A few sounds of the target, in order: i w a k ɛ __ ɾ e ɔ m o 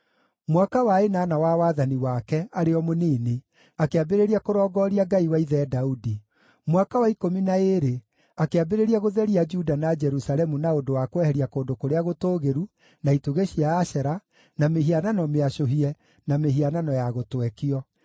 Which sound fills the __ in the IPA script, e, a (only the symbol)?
a